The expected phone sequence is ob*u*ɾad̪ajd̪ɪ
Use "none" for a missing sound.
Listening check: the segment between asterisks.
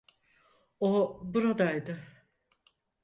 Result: u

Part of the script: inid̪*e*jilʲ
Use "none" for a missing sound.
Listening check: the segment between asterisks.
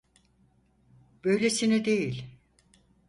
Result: e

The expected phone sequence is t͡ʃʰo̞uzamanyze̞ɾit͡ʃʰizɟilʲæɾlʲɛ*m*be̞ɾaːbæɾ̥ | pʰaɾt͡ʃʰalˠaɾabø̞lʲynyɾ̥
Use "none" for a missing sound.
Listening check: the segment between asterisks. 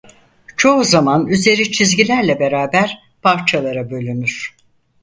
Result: none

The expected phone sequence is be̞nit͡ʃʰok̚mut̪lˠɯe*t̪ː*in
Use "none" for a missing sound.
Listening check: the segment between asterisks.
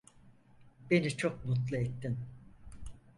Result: t̪ː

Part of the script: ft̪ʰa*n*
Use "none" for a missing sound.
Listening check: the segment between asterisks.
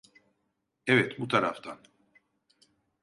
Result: n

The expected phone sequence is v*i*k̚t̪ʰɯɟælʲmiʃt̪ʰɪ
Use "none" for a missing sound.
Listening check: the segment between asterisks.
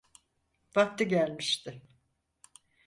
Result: a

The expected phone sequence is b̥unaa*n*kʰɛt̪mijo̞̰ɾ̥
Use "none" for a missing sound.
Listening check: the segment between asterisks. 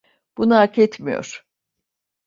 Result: none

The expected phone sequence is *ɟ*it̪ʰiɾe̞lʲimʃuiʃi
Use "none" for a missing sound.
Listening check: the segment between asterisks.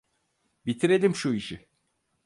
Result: b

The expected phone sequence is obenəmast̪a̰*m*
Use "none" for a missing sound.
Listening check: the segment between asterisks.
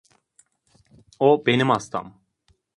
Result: m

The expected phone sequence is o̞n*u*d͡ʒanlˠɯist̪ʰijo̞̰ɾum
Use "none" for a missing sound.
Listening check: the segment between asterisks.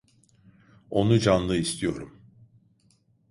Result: u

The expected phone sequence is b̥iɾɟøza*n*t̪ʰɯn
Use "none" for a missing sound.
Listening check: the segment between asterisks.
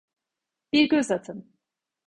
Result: none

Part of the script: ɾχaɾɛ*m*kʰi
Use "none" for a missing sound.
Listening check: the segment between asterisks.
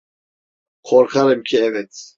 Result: m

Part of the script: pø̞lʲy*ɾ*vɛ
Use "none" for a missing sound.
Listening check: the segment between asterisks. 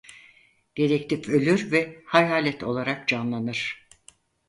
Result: ɾ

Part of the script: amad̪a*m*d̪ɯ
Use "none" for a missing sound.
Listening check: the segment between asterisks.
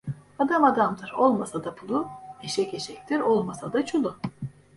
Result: m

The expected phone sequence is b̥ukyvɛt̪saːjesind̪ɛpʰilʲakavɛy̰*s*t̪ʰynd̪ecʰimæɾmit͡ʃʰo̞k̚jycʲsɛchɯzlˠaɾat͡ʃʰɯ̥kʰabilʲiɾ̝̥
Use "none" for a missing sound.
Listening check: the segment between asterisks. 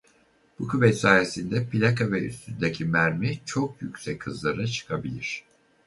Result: s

